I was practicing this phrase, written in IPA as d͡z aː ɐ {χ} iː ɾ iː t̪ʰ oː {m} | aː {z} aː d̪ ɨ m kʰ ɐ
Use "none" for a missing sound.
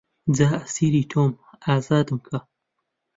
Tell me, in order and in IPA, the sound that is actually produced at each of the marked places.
s, m, z

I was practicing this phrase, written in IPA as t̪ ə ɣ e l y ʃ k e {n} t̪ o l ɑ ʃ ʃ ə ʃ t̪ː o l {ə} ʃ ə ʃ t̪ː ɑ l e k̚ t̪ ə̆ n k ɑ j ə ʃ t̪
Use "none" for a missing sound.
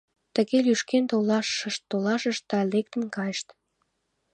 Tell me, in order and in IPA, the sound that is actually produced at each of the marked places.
n, ɑ

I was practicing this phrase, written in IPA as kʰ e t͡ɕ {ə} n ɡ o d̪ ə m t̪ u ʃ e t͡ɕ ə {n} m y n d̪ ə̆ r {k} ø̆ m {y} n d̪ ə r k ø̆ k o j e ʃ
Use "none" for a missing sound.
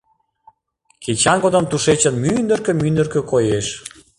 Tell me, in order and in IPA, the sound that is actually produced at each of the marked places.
ɑ, n, k, y

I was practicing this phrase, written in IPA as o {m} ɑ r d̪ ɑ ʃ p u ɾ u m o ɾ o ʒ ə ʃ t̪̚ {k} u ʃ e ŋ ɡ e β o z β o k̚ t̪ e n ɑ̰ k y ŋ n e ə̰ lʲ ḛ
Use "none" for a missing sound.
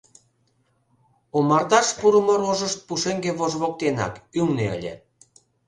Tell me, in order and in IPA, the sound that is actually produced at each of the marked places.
m, p

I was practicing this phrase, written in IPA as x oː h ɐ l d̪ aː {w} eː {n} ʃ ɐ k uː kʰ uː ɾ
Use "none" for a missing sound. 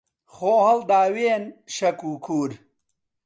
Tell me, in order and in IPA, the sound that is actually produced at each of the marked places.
w, n

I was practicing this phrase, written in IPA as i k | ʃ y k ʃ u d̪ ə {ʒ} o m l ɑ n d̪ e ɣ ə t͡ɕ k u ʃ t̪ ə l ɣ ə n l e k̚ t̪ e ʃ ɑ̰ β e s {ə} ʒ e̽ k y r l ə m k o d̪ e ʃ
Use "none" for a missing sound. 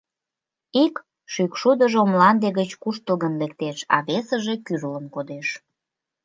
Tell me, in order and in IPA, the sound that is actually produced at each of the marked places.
ʒ, ə

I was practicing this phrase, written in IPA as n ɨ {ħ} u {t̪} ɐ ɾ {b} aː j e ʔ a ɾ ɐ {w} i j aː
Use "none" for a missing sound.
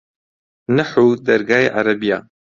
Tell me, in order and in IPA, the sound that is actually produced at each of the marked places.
ħ, d̪, ɡ, b

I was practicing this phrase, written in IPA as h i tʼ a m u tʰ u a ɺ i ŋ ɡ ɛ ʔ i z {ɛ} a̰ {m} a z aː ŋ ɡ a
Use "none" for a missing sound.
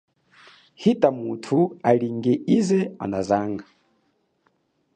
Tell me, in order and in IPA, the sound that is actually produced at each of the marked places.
ɛ, n

